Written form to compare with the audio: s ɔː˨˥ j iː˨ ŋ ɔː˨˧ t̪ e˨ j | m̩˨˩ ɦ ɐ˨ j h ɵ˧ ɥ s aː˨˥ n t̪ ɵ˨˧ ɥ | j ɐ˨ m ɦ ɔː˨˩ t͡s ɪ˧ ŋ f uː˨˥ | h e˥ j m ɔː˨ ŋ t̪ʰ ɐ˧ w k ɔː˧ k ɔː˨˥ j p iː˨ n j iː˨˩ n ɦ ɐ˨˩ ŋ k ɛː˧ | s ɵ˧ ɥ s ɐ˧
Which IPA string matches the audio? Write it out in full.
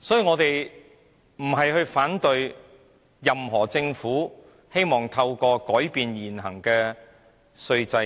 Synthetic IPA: s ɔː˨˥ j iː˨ ŋ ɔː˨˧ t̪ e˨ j | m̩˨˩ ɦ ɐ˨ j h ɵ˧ ɥ f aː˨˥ n t̪ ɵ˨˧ ɥ | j ɐ˨ m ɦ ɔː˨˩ t͡s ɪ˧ ŋ f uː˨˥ | h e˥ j m ɔː˨ ŋ t̪ʰ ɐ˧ w k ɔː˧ k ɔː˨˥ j p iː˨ n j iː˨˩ n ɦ ɐ˨˩ ŋ k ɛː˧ | s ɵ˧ ɥ t͡s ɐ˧

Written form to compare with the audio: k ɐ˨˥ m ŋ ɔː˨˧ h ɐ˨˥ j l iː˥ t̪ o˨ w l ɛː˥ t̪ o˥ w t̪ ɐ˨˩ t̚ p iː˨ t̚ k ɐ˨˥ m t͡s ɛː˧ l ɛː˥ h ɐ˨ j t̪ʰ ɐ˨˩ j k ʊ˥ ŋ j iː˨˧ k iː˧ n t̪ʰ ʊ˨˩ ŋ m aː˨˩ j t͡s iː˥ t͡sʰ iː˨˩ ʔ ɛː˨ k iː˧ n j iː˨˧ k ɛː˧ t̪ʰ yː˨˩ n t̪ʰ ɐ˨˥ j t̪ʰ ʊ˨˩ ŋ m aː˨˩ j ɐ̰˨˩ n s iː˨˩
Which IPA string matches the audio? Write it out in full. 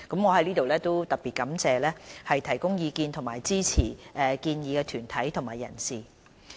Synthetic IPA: k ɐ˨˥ m ŋ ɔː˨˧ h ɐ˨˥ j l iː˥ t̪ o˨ w l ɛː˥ t̪ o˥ w t̪ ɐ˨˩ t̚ p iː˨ t̚ k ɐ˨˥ m t͡s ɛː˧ l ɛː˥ h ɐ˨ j t̪ʰ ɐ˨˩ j k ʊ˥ ŋ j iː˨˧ k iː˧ n t̪ʰ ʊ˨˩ ŋ m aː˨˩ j t͡s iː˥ t͡sʰ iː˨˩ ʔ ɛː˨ k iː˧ n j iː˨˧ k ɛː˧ t̪ʰ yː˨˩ n t̪ʰ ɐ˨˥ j t̪ʰ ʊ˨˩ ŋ m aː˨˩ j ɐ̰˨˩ n s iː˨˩

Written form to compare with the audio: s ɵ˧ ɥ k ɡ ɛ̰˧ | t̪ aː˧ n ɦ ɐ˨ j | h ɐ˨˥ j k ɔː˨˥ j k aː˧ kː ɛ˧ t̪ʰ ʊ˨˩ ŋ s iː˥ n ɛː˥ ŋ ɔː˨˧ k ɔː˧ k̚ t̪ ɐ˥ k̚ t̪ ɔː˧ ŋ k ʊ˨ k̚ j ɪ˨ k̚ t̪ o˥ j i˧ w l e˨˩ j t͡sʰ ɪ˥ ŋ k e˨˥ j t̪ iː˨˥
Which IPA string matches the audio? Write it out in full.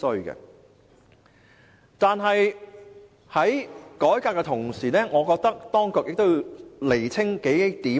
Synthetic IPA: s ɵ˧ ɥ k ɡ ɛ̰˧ | t̪ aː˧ n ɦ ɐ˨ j | h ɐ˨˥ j k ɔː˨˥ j k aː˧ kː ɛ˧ t̪ʰ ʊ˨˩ ŋ s iː˨˩ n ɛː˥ ŋ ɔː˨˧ k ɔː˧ k̚ t̪ ɐ˥ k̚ t̪ ɔː˥ ŋ k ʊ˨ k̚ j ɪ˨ k̚ t̪ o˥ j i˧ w l e˨˩ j t͡sʰ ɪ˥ ŋ k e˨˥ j t̪ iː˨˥

